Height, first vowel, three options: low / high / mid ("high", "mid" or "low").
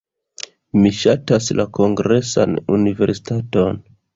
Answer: high